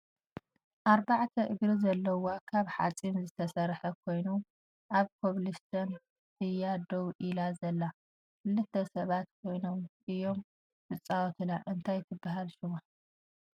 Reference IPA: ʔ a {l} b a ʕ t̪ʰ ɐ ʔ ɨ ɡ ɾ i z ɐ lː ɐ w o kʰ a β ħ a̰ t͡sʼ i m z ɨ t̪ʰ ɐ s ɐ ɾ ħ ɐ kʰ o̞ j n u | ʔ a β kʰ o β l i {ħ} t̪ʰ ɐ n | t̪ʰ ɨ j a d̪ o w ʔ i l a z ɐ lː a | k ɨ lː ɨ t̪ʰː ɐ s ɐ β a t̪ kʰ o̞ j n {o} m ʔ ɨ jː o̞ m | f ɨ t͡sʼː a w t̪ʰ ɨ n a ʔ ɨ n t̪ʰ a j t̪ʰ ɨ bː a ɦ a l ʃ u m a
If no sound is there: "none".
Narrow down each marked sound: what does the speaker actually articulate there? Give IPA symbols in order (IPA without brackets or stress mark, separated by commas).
ɾ, s, o